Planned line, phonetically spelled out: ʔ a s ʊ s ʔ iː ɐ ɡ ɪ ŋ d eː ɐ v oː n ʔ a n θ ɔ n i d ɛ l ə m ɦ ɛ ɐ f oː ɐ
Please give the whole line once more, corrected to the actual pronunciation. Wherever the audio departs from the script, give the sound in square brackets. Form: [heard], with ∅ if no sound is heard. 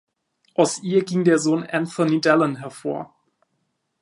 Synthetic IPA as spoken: ʔ a [∅] ʊ s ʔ iː ɐ ɡ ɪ ŋ d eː ɐ [z] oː n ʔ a n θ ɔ n i d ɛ l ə [n] ɦ ɛ ɐ f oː ɐ